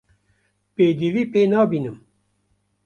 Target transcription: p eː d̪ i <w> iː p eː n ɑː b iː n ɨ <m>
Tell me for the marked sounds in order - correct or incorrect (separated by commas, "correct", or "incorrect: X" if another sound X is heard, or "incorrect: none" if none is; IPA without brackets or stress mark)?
incorrect: v, correct